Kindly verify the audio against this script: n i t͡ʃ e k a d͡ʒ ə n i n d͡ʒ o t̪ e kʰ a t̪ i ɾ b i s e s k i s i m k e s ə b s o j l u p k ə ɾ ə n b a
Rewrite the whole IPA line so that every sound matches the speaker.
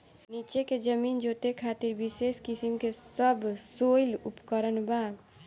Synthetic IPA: n i t͡ʃ e k e d͡ʒ ə m i n d͡ʒ o t̪ e kʰ a t̪ i ɾ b i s e s k i s i m k e s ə b s o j l u p k ə ɾ ə n b a